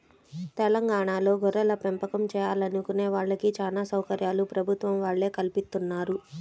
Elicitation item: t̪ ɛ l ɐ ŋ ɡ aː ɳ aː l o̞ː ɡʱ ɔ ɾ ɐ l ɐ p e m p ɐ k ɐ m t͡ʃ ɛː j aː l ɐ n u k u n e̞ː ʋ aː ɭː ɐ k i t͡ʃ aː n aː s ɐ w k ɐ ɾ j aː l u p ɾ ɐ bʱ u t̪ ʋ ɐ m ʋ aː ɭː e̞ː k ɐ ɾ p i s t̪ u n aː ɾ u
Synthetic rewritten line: t̪ ɛ l ɐ ŋ ɡ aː ɳ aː l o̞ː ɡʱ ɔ ɾ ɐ l ɐ p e m p ɐ k ɐ m t͡ʃ ɛː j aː l ɐ n u k u n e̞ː ʋ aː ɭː ɐ k i t͡ʃ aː n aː s ɐ w k ɐ ɾ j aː l u p ɾ ɐ bʱ u t̪ ʋ ɐ m ʋ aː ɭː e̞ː k ɐ l p i s t̪ u nː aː ɾ u